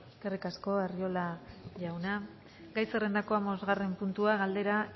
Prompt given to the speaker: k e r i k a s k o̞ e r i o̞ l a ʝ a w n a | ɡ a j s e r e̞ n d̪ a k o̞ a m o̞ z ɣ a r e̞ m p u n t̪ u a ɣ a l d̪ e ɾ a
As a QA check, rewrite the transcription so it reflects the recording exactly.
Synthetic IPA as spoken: k e r i k a s k o̞ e r i o̞ l a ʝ a w n a | ɡ a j s e r e̞ n d̪ a k o̞ a m o̞ z ɣ a r e̞ m p u n t̪ u a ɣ a l d̪ e ɾ a